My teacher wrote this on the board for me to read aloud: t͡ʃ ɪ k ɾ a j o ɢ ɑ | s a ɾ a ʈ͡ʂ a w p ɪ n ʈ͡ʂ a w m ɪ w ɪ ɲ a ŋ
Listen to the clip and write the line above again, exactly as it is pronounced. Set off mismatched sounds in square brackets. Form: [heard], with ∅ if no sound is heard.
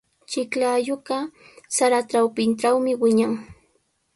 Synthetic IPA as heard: t͡ʃ ɪ k [l] a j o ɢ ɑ | s a ɾ a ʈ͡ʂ a w p ɪ n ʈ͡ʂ a w m ɪ w ɪ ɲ a ŋ